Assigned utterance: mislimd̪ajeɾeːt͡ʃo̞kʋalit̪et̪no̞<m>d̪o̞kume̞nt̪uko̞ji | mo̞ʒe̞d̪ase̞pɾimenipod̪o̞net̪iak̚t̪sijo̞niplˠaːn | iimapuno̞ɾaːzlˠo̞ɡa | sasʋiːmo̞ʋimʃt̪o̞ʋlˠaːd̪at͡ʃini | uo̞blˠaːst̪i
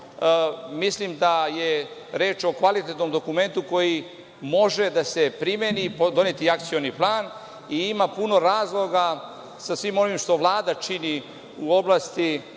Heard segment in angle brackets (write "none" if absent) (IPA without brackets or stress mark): m